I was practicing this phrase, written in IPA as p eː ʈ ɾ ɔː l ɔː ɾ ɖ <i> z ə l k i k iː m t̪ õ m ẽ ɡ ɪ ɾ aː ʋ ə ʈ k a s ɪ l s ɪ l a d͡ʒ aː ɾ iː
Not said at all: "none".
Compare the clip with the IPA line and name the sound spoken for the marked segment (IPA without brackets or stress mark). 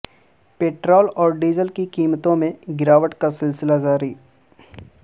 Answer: iː